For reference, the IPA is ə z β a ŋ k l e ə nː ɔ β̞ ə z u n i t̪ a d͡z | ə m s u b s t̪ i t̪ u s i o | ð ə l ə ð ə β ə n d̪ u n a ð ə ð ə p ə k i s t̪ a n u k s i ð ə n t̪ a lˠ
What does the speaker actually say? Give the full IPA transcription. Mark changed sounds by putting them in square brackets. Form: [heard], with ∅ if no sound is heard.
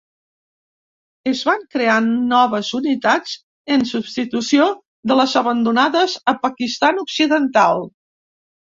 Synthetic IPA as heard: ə z β a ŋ k [ɾ] e [a] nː ɔ β̞ ə z u n i t̪ a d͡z | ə [n] s u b s t̪ i t̪ u s i o | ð ə l ə [z] ə β ə n d̪ u n a ð ə [z] ə p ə k i s t̪ a n u k s i ð ə n t̪ a lˠ